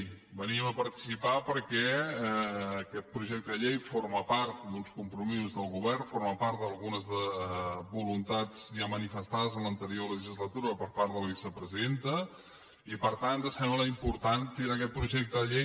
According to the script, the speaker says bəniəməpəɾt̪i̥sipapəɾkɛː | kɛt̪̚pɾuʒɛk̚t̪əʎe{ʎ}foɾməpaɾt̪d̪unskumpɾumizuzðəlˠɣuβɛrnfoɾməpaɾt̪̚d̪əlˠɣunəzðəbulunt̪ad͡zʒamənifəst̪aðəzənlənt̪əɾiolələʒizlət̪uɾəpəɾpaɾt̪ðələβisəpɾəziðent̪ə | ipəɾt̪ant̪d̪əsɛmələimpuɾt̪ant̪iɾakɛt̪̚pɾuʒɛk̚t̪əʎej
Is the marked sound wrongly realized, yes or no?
yes